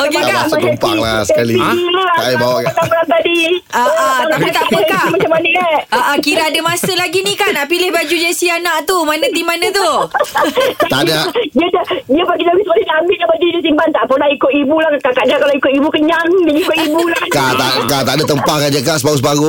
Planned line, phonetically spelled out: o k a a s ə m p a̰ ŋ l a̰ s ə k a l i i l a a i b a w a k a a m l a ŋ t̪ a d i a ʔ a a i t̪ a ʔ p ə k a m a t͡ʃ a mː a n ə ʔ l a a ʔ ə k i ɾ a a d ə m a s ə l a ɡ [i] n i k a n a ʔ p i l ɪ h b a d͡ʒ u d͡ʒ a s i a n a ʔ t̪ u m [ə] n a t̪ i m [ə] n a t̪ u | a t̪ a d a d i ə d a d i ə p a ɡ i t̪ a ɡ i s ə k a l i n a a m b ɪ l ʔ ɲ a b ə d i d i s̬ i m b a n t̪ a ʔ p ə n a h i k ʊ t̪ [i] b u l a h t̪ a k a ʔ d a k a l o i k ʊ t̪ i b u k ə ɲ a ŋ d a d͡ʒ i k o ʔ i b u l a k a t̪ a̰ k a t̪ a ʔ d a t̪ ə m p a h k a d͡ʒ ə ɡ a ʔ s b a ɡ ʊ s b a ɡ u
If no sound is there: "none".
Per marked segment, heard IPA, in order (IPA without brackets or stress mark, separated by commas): i, a, a, i